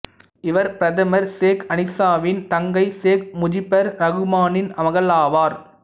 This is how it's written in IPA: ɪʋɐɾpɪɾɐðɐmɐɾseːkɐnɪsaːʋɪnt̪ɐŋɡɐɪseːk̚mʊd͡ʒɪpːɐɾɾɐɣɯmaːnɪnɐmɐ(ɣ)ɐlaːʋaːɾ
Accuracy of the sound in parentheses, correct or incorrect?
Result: correct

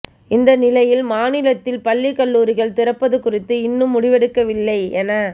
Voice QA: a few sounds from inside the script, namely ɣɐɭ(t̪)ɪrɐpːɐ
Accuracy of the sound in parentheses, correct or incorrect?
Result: correct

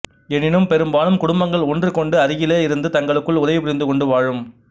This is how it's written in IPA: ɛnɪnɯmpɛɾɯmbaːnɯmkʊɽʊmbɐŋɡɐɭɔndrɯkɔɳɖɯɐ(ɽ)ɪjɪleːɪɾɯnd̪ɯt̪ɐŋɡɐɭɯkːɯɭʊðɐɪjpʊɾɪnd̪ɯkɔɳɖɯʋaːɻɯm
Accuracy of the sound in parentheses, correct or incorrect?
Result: incorrect: ɾ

